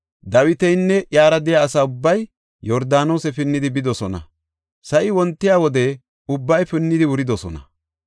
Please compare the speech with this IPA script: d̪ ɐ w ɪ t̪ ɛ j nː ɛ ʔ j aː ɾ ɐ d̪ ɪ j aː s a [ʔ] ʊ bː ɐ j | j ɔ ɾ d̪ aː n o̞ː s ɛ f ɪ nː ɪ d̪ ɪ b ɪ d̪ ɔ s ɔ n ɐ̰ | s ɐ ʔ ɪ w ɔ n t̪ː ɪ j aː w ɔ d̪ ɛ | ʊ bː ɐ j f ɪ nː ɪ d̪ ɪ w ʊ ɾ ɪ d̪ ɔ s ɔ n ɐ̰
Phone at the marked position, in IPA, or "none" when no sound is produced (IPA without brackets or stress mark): none